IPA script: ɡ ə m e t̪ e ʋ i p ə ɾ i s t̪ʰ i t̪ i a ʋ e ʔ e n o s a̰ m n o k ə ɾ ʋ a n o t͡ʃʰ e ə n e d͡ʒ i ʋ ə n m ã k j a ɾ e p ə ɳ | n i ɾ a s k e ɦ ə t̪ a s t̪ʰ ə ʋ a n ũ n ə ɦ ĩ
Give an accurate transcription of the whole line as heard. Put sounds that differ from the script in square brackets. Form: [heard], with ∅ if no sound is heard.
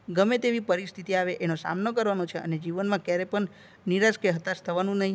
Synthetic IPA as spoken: ɡ ə m e t̪ e ʋ i p ə ɾ i s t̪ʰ i t̪ i a ʋ e ʔ e n o s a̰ m n o k ə ɾ ʋ a n o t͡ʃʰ e ə n e d͡ʒ i ʋ ə n m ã k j a ɾ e p ə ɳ | n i ɾ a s k e ɦ ə t̪ a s t̪ʰ ə ʋ a n ũ n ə ɦ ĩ